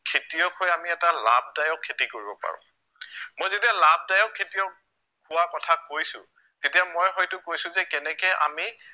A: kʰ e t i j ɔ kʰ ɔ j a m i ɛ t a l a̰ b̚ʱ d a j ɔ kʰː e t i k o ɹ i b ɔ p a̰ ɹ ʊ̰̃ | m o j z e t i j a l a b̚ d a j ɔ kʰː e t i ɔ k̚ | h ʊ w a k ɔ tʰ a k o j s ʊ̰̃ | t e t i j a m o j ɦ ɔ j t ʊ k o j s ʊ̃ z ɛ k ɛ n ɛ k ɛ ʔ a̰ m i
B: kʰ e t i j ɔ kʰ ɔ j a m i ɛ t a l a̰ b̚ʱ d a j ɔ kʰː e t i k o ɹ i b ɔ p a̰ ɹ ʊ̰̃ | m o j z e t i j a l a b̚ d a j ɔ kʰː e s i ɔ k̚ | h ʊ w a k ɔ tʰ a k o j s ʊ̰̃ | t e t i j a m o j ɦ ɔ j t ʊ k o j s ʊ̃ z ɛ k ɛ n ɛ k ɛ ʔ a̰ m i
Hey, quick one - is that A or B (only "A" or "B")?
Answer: A